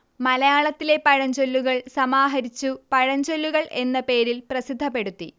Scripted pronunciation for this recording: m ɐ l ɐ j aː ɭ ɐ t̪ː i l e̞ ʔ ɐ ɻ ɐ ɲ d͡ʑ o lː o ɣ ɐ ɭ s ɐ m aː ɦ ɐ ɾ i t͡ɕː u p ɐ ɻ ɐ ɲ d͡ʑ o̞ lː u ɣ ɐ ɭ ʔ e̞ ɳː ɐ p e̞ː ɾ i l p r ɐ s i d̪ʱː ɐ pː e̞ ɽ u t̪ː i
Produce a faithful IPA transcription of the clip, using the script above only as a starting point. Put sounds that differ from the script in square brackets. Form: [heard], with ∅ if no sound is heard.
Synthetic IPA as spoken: m ɐ l ɐ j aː ɭ ɐ t̪ː i l e̞ [p] ɐ ɻ ɐ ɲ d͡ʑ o lː [u] ɣ ɐ ɭ s ɐ m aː ɦ ɐ ɾ i t͡ɕː u p ɐ ɻ ɐ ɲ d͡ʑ o̞ lː u ɣ ɐ ɭ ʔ e̞ [nː] ɐ p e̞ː ɾ i l p r ɐ s i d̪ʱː ɐ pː e̞ ɽ u t̪ː i

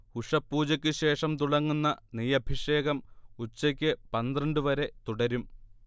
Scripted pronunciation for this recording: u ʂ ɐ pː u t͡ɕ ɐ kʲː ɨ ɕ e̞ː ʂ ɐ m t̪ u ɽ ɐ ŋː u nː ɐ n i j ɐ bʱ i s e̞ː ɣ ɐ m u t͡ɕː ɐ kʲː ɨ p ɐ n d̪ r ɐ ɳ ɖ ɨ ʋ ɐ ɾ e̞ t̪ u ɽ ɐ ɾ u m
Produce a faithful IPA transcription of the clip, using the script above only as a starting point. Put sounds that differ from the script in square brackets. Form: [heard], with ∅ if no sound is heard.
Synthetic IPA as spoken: u ʂ ɐ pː [uː] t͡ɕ ɐ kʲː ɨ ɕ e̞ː ʂ ɐ m t̪ u ɽ ɐ ŋː u nː ɐ n i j ɐ bʱ i [ʂ] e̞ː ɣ ɐ m u t͡ɕː ɐ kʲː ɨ p ɐ n d̪ r ɐ ɳ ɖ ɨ ʋ ɐ ɾ e̞ t̪ u ɽ ɐ ɾ u m

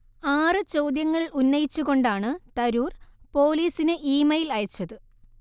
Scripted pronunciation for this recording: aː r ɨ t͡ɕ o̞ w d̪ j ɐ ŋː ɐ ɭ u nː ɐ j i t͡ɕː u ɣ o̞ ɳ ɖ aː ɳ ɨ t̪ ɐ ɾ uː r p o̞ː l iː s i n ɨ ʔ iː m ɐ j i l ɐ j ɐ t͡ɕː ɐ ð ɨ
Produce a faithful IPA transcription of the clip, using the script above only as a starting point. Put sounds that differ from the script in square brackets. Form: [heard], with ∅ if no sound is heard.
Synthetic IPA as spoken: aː r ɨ t͡ɕ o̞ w d̪ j ɐ ŋː ɐ ɭ u nː ɐ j i t͡ɕː u ɣ o̞ ɳ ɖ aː ɳ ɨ t̪ ɐ ɾ uː r p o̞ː l iː s i n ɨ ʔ iː m ɐ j i l ɐ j ɐ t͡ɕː ɐ ð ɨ

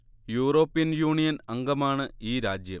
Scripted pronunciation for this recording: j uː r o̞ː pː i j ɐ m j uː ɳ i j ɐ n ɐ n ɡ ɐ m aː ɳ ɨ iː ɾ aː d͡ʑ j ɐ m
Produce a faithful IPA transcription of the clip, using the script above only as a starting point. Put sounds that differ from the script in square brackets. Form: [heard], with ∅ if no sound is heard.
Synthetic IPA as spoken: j uː r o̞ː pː i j ɐ [n] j uː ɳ i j ɐ n ɐ [ŋ] ɡ ɐ m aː ɳ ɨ iː ɾ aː d͡ʑ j ɐ m

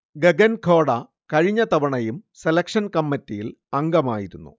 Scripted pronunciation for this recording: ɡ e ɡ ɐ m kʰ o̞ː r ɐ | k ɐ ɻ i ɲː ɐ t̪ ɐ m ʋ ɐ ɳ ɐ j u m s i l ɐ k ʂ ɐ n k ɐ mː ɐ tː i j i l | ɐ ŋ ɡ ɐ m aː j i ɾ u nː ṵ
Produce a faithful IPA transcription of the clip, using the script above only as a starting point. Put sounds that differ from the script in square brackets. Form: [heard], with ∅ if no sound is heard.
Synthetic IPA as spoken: ɡ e ɡ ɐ [n] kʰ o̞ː [ɽ] ɐ | k ɐ ɻ i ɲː ɐ t̪ ɐ [∅] ʋ ɐ ɳ ɐ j u m s [e] l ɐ k ʂ ɐ n k ɐ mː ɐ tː i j i l | ɐ ŋ ɡ ɐ m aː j i ɾ u nː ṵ

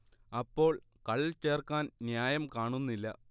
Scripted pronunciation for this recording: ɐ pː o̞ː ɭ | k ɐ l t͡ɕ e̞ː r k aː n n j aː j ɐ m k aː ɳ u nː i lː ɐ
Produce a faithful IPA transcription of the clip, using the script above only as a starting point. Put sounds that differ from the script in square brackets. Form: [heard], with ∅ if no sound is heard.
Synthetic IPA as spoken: ɐ pː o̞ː ɭ | k ɐ [ɭ] t͡ɕ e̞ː r k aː n n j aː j ɐ m k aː ɳ u nː i lː ɐ

